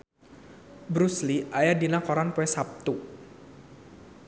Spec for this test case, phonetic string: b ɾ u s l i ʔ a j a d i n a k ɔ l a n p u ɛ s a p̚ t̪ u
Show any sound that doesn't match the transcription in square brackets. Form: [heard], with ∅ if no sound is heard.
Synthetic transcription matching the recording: b ɾ u s l i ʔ a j a d i n a k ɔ [ɾ] a n p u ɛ s a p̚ t̪ u